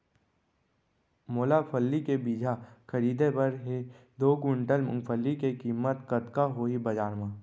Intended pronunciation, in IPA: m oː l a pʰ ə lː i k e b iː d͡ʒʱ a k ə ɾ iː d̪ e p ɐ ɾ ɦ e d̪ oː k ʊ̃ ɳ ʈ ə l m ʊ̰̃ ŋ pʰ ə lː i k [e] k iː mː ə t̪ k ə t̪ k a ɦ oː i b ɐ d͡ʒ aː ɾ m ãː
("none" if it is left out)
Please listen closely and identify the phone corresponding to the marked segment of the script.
e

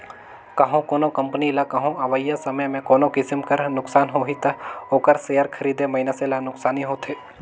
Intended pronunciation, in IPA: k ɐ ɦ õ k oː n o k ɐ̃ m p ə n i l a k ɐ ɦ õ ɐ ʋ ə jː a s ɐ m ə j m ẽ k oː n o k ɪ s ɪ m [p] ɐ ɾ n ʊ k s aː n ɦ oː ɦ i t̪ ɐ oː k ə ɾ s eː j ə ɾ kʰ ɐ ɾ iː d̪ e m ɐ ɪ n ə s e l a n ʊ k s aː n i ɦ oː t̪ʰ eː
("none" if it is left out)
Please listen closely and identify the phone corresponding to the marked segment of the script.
k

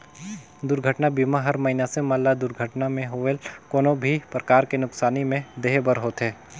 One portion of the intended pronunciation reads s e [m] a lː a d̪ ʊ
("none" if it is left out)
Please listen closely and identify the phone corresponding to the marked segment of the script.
m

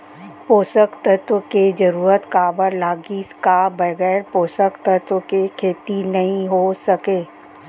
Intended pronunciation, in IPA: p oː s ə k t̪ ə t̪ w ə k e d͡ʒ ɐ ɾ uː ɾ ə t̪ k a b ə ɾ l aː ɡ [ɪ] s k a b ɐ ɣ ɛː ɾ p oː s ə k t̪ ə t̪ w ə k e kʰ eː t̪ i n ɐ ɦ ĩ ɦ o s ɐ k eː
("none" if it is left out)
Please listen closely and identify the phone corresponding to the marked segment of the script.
i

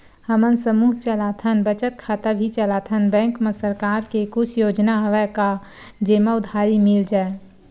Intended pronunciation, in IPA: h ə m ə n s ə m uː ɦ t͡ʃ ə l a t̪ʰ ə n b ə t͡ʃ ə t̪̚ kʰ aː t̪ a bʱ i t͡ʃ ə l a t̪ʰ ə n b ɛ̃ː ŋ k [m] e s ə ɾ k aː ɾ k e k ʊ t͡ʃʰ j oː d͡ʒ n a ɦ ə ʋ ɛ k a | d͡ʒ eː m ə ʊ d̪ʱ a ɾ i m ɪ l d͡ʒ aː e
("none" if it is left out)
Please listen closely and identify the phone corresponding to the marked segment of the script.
m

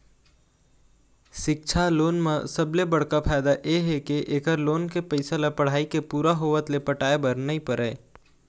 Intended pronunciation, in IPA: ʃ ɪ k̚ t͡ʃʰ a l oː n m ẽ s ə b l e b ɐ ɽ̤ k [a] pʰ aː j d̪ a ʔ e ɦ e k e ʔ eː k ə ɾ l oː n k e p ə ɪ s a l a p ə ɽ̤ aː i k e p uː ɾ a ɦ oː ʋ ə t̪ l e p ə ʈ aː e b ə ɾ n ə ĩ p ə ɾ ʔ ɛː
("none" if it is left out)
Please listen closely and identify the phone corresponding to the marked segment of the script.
a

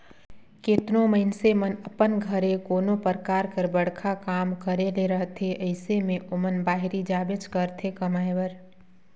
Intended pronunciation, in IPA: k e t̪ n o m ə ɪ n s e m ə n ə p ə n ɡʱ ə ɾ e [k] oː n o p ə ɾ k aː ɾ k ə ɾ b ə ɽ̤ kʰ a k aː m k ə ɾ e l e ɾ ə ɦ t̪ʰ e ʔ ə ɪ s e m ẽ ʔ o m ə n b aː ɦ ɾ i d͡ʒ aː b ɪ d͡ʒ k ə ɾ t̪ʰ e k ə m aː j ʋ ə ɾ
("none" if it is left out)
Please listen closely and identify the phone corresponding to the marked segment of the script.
k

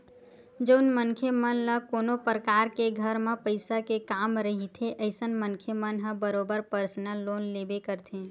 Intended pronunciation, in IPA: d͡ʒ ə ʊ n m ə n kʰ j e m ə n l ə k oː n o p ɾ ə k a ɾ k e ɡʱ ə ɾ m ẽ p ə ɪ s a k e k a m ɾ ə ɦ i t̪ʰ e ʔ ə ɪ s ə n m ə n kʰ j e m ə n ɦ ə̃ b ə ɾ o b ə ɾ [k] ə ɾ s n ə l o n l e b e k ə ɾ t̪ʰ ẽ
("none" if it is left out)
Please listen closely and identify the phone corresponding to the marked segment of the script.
p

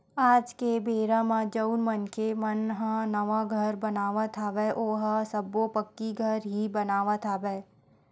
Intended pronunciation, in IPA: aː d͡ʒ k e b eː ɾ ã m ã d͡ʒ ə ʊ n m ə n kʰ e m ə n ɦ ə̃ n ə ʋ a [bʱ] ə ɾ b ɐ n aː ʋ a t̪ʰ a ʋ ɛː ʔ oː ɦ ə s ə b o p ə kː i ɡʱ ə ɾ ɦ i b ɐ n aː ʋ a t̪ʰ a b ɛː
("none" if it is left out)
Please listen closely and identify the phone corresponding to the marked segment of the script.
ɡʱ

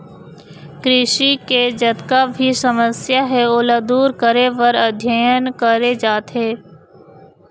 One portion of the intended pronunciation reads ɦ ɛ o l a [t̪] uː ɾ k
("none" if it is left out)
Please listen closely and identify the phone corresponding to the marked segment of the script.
d̪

